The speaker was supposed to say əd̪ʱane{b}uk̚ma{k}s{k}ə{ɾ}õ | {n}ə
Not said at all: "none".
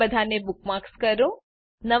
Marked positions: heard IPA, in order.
b, k, k, ɾ, n

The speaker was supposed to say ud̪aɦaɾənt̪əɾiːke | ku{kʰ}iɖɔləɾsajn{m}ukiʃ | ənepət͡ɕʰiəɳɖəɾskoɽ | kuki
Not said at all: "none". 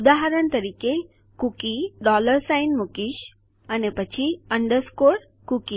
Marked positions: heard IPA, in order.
k, m

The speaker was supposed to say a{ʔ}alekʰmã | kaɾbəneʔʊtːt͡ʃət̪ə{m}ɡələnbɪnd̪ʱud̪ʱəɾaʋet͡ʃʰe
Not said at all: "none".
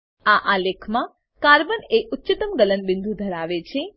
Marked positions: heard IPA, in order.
ʔ, m

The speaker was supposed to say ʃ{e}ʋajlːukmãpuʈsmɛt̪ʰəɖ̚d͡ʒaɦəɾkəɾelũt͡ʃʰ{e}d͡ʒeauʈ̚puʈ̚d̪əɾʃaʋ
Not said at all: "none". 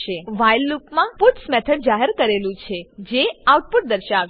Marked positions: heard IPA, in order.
e, e

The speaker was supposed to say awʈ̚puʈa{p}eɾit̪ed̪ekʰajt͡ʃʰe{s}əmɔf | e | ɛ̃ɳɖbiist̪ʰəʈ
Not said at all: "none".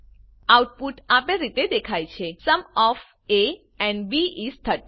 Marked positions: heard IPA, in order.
p, s

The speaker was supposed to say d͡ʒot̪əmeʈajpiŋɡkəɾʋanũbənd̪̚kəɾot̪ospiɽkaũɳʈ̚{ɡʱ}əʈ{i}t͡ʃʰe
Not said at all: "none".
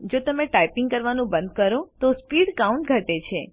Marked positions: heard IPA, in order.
ɡʱ, e

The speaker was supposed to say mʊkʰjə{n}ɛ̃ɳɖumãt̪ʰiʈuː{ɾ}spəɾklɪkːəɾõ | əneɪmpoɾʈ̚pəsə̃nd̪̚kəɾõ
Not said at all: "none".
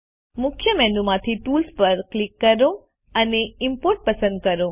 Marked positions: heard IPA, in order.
m, l

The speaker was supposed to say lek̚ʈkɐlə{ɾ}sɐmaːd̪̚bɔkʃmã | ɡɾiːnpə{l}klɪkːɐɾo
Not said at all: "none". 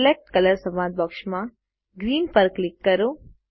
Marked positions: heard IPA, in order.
ɾ, ɾ

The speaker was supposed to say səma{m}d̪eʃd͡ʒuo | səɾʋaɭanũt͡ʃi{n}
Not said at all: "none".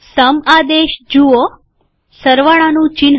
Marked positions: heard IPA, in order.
none, n

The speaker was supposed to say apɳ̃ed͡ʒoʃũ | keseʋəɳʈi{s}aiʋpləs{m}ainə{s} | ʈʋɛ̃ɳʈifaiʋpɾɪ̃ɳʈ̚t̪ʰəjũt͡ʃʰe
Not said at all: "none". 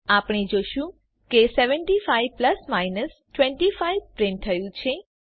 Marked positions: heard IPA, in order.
f, m, s

